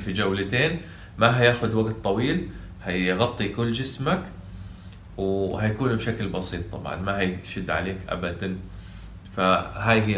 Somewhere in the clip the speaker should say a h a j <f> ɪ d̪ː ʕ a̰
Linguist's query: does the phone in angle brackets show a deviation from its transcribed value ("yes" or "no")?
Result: yes